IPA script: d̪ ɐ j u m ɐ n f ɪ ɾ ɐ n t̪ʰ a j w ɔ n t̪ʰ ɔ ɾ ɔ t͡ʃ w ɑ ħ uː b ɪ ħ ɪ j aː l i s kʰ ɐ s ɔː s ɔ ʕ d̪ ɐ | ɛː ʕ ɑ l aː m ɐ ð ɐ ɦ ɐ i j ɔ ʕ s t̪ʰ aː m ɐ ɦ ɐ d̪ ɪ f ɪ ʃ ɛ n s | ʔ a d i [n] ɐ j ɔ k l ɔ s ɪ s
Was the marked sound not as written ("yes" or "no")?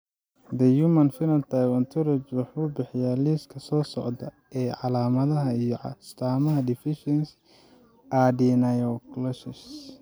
no